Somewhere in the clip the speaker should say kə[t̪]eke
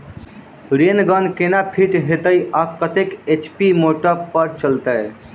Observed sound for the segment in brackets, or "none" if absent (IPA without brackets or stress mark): t̪